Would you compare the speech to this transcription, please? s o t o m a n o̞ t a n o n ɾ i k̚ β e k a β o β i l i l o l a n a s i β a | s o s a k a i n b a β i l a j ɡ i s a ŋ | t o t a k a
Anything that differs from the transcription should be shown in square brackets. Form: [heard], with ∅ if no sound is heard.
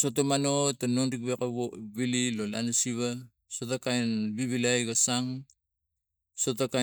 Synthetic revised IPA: s o t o m a n o̞ t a n o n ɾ i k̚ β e k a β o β i l i l o l a n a s i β a | s o [t] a k a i n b [i] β i l a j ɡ [a] s a ŋ | [s] o t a k a